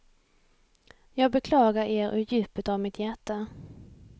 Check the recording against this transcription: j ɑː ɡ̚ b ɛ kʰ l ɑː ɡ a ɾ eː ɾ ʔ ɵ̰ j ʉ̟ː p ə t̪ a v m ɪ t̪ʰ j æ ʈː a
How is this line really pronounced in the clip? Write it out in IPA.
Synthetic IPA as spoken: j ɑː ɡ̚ b ɛ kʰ l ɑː ɡ a ɾ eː ɾ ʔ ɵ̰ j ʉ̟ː p ə t̪ a v m ɪ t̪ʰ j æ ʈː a